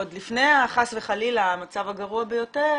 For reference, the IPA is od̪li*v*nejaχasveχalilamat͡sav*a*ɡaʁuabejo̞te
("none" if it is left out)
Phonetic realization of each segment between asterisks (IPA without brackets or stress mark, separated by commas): f, a